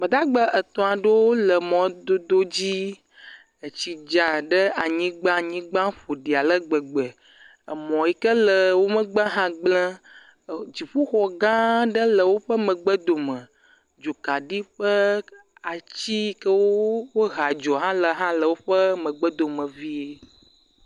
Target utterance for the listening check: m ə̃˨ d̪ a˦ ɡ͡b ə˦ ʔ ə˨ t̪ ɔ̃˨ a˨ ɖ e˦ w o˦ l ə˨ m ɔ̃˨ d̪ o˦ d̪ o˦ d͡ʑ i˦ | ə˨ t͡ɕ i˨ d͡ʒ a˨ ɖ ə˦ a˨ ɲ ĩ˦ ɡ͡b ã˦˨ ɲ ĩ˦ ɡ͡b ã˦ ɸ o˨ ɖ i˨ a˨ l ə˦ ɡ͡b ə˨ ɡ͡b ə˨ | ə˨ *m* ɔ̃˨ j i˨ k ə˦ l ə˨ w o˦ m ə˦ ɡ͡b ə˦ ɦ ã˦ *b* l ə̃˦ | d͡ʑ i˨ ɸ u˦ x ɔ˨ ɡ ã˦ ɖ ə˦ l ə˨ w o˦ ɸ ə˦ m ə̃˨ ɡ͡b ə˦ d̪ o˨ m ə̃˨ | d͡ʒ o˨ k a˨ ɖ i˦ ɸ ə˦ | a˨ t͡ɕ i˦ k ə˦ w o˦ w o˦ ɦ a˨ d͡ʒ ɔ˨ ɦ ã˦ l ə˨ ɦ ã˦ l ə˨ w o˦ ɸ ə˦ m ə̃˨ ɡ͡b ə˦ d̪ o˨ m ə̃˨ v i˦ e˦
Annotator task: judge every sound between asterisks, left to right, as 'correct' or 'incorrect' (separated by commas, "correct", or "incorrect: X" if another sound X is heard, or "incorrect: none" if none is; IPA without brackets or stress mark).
correct, incorrect: ɡ͡b